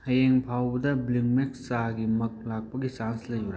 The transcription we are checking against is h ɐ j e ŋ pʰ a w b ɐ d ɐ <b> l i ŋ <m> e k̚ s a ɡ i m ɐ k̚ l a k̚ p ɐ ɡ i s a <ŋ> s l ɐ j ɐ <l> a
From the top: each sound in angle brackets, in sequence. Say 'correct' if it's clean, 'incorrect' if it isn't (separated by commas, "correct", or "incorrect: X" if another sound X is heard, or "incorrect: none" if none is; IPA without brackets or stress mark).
correct, correct, incorrect: n, incorrect: ɾ